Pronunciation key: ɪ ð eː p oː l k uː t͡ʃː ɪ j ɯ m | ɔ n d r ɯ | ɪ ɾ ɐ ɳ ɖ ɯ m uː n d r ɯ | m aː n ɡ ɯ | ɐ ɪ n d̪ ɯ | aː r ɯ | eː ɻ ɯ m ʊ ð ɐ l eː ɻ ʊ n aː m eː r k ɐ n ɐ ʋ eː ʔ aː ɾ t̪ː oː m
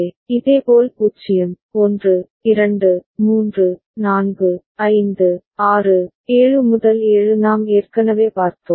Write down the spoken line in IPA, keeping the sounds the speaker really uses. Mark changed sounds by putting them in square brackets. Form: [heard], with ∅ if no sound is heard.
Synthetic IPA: ɪ ð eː p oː l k uː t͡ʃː ɪ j ɯ m | ɔ n d r ɯ | ɪ ɾ ɐ ɳ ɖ ɯ m uː n d r ɯ | [n] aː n ɡ ɯ | ɐ ɪ n d̪ ɯ | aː r ɯ | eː ɻ ɯ m ʊ ð ɐ l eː ɻ [ɯ] n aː m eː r k ɐ n ɐ ʋ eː [p] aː ɾ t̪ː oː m